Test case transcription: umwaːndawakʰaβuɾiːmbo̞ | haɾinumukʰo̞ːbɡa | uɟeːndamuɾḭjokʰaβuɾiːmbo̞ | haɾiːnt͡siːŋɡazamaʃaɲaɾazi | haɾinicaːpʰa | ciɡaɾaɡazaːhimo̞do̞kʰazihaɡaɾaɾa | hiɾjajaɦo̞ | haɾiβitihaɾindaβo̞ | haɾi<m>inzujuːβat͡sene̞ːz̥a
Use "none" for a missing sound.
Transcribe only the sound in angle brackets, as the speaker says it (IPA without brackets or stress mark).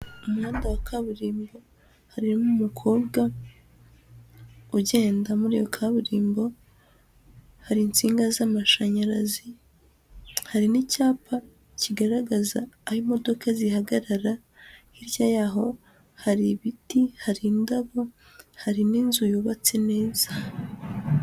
n